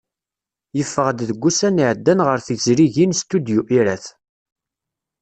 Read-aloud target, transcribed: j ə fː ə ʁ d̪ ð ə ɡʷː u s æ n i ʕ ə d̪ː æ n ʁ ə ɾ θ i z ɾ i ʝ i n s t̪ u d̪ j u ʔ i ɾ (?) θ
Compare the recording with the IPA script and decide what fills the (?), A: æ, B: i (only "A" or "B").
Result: A